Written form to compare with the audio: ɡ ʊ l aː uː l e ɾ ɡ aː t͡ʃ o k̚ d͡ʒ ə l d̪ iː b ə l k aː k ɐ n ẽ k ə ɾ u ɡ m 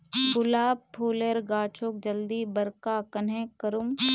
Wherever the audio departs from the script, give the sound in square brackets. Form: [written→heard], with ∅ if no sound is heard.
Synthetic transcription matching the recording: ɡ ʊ l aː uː l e ɾ ɡ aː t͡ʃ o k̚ d͡ʒ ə l d̪ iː b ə [l→ɾ] k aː k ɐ n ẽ k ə ɾ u [ɡ→∅] m